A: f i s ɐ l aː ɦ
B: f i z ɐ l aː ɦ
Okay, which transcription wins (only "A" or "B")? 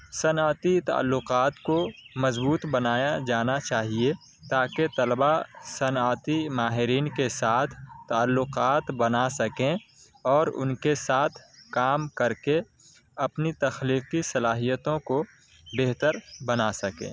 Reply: A